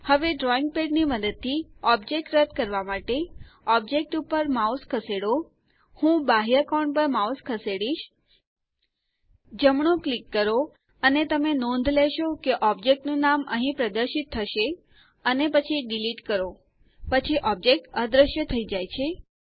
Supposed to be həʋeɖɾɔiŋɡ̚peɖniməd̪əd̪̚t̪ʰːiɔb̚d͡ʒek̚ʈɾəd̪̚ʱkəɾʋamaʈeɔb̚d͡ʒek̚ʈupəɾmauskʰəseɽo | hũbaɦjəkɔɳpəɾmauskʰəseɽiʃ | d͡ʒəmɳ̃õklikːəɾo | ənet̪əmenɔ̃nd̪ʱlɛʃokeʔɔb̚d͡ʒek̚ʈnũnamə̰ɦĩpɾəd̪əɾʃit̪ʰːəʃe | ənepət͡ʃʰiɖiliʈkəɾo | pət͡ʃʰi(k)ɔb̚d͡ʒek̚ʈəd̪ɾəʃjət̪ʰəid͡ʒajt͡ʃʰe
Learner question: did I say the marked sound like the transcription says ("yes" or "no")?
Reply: no